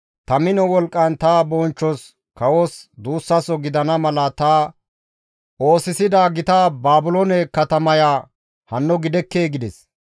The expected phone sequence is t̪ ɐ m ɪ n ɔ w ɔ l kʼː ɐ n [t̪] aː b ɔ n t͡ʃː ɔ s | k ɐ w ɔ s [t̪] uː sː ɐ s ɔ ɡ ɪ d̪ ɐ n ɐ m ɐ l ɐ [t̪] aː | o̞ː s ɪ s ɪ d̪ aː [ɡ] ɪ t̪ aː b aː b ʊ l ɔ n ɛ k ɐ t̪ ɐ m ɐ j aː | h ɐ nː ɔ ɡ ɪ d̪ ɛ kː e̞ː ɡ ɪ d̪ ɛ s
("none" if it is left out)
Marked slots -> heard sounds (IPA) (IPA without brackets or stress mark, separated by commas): t̪, d̪, t̪, ɡ